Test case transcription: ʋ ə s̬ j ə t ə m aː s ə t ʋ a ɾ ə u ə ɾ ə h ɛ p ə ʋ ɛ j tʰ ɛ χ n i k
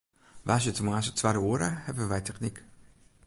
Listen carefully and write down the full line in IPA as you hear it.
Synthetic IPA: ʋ a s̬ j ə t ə m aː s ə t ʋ a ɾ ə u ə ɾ ə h ɛ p ə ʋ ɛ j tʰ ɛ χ n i k